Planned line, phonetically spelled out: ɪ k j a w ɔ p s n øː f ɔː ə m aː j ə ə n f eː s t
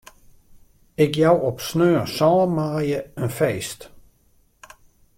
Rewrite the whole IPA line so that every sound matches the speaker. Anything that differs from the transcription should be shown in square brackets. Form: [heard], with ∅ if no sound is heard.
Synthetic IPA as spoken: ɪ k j a w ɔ p s n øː [s] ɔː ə m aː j ə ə n f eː s t